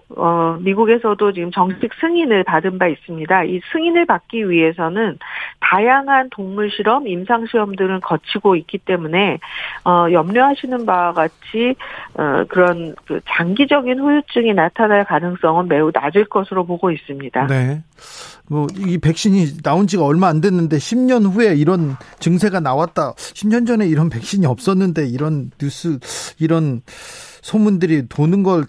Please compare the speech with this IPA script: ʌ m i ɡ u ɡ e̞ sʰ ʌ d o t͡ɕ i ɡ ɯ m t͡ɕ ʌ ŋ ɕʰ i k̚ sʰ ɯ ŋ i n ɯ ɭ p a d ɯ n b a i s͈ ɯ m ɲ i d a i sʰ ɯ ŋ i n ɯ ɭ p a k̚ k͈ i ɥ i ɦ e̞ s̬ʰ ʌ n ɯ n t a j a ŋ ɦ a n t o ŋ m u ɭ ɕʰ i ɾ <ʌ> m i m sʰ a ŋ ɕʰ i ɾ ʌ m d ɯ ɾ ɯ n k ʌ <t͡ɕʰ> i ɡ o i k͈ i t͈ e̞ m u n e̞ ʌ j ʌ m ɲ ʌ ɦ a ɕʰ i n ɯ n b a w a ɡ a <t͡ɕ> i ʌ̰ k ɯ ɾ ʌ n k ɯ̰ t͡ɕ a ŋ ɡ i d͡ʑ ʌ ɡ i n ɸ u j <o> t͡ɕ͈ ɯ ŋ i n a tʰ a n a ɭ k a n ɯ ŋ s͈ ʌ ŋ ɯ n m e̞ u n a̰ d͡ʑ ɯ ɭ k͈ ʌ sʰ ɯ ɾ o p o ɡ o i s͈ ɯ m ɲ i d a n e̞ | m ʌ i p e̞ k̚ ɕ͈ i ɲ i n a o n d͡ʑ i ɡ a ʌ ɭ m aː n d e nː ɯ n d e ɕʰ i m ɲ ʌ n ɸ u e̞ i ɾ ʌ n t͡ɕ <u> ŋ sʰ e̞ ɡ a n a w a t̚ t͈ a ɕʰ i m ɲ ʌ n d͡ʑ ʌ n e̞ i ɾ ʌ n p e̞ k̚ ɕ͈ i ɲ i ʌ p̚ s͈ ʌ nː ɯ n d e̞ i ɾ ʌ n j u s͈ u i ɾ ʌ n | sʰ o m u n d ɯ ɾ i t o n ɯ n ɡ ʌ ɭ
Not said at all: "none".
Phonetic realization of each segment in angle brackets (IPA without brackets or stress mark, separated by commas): ʌ, t͡ɕʰ, t͡ɕʰ, u, ɯ